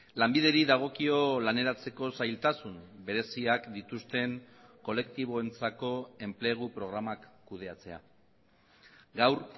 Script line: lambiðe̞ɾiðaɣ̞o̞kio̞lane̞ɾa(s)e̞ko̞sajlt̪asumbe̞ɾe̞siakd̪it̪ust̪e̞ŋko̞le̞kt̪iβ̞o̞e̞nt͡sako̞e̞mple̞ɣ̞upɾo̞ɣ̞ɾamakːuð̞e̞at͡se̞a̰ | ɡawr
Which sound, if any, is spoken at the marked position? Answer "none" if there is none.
t͡s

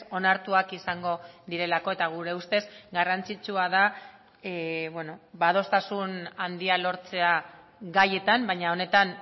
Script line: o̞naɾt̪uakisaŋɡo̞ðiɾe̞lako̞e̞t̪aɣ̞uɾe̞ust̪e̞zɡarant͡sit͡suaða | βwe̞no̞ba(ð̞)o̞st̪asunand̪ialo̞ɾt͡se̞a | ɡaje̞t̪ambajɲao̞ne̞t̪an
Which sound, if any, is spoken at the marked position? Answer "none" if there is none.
ð̞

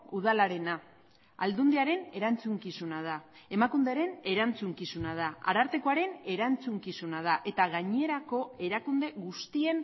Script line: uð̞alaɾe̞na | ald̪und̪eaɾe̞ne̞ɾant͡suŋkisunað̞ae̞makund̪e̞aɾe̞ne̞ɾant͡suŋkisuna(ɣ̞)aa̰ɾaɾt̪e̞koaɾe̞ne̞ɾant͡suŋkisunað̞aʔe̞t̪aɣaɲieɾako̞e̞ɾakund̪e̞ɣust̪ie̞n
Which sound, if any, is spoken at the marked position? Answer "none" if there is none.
ð̞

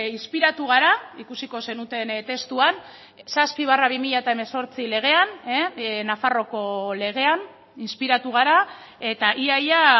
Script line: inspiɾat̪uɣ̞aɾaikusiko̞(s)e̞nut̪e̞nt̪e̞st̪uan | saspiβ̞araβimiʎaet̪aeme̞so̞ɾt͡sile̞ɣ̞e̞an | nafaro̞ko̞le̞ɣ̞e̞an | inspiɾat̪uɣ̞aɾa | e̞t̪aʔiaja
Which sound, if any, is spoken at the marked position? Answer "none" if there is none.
s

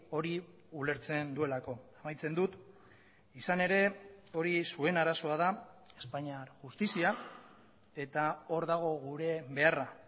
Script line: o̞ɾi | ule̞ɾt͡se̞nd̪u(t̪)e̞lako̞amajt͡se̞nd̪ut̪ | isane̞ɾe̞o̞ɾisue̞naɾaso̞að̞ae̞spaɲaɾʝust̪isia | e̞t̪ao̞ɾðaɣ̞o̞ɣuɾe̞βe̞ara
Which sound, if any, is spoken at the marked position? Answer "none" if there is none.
none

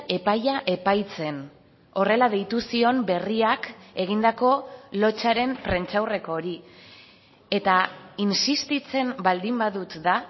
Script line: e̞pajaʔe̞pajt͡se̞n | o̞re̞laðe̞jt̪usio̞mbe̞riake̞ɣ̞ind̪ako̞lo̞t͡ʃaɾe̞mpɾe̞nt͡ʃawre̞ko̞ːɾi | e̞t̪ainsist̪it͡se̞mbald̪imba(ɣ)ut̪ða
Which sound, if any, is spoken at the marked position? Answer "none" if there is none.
ð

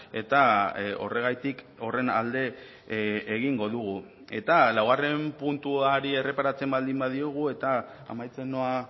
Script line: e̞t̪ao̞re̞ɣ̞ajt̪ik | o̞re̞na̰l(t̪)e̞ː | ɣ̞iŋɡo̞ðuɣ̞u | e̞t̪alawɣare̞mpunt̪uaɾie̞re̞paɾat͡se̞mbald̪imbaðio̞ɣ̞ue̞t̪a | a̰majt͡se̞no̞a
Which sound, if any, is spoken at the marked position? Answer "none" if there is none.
d̪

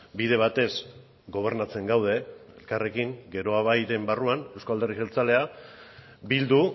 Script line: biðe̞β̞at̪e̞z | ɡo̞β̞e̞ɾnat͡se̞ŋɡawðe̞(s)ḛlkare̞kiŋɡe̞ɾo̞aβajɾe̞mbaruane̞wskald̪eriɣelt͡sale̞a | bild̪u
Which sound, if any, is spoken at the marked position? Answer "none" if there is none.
none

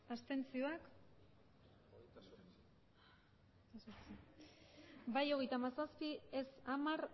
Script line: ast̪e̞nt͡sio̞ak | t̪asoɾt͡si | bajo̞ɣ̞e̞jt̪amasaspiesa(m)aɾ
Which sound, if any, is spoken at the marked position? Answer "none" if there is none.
m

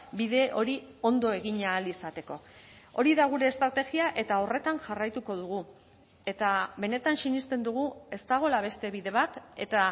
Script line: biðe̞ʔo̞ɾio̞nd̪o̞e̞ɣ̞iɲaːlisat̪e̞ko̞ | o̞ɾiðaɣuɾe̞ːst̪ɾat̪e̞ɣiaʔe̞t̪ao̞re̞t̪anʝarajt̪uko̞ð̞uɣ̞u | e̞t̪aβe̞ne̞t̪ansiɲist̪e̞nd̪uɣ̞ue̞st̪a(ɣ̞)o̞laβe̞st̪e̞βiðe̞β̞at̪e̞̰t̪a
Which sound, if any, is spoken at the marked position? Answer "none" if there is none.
ɣ̞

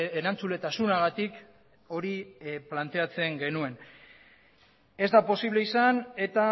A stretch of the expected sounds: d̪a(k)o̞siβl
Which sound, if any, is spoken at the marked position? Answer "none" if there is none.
p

